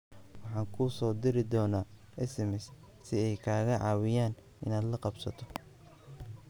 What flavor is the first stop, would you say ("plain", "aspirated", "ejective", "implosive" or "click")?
aspirated